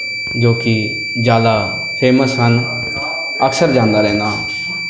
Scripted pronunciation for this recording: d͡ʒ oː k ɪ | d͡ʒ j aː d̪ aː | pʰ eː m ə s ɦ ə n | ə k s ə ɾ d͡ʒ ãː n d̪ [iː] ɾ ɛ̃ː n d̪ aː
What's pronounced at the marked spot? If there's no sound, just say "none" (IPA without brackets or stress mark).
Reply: aː